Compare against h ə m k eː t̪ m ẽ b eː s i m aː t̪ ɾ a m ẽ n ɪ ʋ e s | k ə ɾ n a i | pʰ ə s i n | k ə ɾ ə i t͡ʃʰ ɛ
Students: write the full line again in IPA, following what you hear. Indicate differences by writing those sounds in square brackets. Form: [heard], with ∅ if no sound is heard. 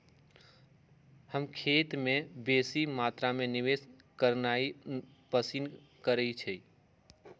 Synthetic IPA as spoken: h ə m [kʰ] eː t̪ m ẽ b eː s i m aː t̪ ɾ a m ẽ n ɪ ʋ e s | k ə ɾ n a i | [p] ə s i n | k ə ɾ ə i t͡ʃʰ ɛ

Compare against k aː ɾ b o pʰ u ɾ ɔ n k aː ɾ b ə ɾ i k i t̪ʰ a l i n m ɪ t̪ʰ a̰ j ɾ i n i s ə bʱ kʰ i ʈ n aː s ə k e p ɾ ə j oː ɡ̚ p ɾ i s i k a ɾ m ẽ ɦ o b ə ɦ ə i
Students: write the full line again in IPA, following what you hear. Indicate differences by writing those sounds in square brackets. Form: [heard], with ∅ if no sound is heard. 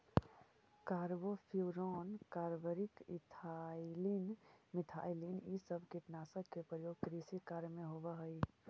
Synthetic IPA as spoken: k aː ɾ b o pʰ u ɾ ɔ n k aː ɾ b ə ɾ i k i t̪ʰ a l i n m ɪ t̪ʰ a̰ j [l] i n i s ə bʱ [k] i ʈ n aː s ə k e p ɾ ə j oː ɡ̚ [k] ɾ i s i k a ɾ m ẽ ɦ o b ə ɦ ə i

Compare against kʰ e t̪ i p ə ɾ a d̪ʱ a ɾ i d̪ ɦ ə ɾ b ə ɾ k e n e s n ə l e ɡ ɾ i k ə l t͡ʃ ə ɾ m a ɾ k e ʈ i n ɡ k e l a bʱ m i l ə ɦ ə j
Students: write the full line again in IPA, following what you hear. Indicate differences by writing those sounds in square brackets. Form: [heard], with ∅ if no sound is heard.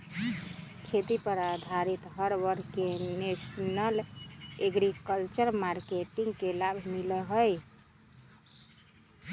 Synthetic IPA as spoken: kʰ e t̪ i p ə ɾ a d̪ʱ a ɾ i [t̪] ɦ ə ɾ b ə ɾ k e n e s n ə l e ɡ ɾ i k ə l t͡ʃ ə ɾ m a ɾ k e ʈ i [ŋ] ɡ k e l a bʱ m i l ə ɦ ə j

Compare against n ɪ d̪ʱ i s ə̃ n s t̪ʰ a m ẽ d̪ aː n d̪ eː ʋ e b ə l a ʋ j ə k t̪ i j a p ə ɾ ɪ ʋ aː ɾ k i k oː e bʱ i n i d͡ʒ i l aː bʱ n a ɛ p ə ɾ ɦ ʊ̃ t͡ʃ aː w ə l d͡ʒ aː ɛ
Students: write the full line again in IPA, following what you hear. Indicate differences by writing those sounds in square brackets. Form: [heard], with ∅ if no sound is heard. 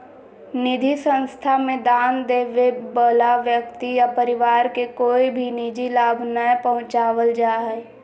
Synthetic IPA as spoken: n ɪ d̪ʱ i s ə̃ n s t̪ʰ a m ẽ d̪ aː n d̪ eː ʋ e b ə l a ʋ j ə k t̪ i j a p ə ɾ ɪ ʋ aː ɾ k [e] k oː [i] bʱ i n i d͡ʒ i l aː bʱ n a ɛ p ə [∅] ɦ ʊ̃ t͡ʃ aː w ə l d͡ʒ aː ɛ

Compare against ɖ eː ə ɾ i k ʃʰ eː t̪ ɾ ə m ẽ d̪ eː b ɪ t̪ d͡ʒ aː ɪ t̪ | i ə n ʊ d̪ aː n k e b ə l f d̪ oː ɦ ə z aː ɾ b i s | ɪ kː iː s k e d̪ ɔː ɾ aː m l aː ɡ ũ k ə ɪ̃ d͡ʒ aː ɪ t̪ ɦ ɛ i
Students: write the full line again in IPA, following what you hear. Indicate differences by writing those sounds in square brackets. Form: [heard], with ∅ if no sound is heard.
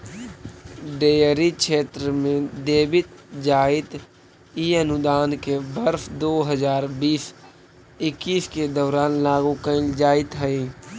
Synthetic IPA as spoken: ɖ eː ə ɾ i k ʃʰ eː t̪ ɾ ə m ẽ d̪ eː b ɪ t̪ d͡ʒ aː ɪ t̪ | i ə n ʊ d̪ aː n k e b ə [ɾ] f d̪ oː ɦ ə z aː ɾ b [iː] s | ɪ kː iː s k e d̪ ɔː ɾ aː [n] l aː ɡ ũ k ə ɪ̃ d͡ʒ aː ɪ t̪ ɦ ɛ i

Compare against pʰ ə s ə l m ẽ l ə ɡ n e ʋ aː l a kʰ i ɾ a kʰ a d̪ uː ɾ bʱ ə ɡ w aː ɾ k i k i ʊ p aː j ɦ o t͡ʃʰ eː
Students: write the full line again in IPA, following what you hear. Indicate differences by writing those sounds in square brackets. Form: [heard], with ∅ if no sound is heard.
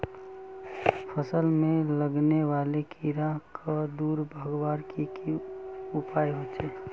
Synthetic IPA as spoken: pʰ ə s ə l m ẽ l ə ɡ n e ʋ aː l [e] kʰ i ɾ a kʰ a d̪ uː ɾ bʱ ə ɡ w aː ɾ k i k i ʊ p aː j ɦ o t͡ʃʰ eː

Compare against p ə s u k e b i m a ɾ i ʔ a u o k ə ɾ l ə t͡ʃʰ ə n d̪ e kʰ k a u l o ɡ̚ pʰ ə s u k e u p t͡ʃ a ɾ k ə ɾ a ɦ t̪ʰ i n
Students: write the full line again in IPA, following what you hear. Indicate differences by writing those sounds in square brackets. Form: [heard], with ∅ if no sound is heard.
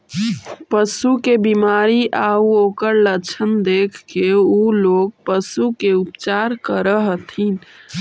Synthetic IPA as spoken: p ə s u k e b i m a ɾ i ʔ a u o k ə ɾ l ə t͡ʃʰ ə n d̪ e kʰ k [e] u l o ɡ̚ [p] ə s u k e u p t͡ʃ a ɾ k ə ɾ [ə] ɦ t̪ʰ i n

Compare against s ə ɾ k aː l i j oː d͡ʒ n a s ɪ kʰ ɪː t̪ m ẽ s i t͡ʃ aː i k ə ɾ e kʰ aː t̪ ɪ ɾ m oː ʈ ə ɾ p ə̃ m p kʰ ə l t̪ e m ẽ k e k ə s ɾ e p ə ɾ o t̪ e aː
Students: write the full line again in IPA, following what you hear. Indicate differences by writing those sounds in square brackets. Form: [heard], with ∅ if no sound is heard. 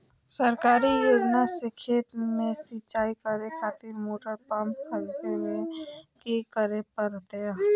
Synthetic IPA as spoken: s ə ɾ k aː [ɾ] i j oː d͡ʒ n a s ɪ kʰ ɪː t̪ m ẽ s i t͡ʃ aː i k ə ɾ e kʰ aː t̪ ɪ ɾ m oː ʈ ə ɾ p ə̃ m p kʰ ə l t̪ e m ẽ k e k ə [∅] ɾ e p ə ɾ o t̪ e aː

